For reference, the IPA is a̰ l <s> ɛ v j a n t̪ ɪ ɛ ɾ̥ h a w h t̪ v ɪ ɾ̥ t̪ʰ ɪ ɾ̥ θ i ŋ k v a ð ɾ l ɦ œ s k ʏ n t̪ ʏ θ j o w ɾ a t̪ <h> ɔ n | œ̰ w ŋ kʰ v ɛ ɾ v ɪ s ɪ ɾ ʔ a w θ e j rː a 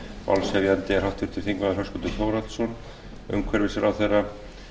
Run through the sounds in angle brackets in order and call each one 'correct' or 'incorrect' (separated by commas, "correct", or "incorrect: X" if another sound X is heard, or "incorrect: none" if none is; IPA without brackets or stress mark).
correct, incorrect: s